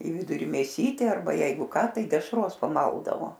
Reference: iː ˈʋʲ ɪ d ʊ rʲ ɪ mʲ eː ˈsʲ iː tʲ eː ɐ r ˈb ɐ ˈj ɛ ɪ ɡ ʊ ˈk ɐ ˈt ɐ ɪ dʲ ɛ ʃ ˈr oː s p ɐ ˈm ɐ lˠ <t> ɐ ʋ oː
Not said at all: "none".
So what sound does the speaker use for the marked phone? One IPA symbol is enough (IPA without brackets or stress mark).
d